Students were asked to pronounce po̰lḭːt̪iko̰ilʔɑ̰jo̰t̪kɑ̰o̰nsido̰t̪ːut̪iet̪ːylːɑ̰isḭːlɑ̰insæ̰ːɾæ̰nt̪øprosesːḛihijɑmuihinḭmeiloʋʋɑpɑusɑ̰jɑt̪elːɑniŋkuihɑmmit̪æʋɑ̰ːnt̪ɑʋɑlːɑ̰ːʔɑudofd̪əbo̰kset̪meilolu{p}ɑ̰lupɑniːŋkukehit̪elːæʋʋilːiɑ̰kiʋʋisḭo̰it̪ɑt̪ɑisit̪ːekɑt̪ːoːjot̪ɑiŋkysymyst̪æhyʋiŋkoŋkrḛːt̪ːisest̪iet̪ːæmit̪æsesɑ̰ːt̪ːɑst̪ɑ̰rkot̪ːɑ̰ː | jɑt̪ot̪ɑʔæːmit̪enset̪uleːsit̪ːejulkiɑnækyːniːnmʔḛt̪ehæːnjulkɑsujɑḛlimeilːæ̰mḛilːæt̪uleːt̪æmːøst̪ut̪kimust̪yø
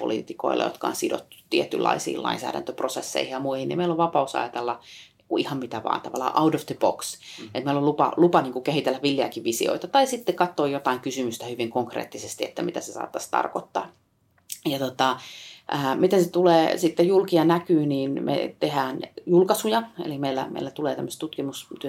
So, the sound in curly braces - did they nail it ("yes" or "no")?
yes